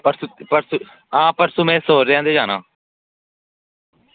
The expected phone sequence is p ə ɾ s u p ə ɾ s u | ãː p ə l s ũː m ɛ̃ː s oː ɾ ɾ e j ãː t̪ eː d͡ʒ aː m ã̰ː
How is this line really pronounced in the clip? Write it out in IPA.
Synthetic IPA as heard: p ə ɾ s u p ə ɾ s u | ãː p ə ɾ s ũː m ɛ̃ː s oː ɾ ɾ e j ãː d̪ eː d͡ʒ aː n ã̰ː